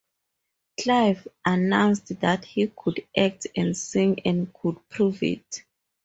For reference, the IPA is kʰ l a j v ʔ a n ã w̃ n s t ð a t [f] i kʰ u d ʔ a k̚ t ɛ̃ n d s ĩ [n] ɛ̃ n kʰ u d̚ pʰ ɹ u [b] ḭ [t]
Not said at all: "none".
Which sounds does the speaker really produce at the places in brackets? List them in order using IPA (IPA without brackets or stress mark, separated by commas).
h, ŋ, v, t